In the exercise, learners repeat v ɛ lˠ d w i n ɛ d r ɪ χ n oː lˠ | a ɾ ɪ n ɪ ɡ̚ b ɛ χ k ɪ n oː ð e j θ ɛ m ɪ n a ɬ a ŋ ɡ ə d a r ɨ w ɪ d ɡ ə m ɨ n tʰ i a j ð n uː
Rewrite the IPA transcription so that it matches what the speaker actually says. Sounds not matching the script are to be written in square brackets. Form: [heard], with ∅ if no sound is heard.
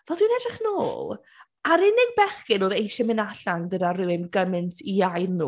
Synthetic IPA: v ɛ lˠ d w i n ɛ d r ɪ χ n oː lˠ | a ɾ ɪ n ɪ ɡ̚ b ɛ χ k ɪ n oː ð e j [ʃ] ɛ m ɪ n a ɬ a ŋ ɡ ə d a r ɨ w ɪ [n] ɡ ə m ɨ n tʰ i a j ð n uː